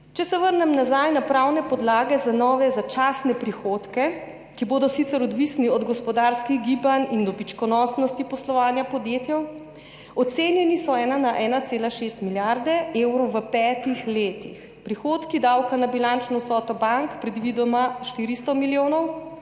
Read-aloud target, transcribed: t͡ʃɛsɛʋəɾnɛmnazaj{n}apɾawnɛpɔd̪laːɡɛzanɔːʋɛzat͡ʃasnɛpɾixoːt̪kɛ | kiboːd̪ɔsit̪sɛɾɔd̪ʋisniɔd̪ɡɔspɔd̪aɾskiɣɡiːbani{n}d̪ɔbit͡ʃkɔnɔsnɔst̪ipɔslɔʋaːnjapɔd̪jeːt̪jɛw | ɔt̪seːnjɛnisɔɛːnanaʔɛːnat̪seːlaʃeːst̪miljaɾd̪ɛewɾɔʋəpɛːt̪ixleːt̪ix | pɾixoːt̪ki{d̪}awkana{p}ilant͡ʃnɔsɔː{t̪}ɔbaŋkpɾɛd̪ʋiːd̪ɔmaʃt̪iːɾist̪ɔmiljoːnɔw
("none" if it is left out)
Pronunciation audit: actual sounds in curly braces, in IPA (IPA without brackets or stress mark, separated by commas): n, n, d̪, b, t̪